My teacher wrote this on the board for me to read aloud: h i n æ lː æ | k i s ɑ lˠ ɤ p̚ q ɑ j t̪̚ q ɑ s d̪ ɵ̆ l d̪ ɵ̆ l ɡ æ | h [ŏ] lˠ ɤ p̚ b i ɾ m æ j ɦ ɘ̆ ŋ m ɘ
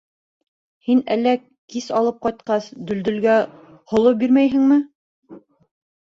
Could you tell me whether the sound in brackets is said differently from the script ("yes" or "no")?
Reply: no